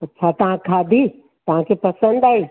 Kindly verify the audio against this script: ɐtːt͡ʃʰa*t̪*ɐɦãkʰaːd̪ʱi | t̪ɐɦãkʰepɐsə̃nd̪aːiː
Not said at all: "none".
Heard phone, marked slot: t̪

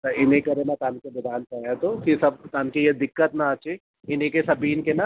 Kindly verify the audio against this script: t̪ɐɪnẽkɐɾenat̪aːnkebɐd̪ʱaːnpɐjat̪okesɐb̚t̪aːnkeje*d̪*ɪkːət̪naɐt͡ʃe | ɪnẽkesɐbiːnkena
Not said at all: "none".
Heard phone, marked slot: d̪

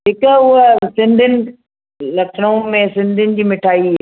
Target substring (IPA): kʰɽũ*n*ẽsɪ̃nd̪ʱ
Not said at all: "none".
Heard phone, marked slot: m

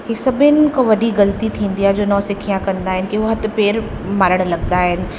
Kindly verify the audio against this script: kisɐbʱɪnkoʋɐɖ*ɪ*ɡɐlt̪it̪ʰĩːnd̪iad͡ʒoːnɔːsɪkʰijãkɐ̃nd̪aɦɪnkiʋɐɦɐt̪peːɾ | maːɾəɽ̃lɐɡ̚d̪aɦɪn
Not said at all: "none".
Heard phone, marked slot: i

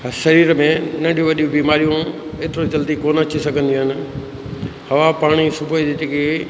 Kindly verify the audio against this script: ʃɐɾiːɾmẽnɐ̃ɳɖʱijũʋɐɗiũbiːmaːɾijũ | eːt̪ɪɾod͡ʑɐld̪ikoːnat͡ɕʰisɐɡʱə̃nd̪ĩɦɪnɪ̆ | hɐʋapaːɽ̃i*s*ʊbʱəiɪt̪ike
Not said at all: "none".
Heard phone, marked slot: s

